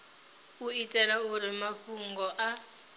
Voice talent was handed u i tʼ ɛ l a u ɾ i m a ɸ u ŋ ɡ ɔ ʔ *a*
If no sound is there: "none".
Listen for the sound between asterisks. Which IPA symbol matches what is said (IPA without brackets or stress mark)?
a